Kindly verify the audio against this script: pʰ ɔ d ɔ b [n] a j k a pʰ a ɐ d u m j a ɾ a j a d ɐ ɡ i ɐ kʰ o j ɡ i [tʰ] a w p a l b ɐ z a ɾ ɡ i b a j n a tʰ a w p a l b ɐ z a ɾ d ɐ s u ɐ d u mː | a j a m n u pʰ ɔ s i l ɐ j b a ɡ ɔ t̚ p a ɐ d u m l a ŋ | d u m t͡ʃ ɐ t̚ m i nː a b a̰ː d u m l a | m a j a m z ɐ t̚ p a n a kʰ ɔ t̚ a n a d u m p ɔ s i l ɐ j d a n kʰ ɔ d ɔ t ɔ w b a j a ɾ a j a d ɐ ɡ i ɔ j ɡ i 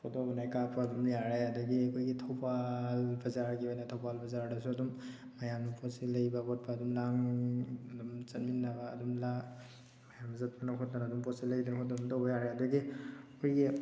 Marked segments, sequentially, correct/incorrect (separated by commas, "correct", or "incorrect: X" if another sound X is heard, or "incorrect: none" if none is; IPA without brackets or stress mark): correct, correct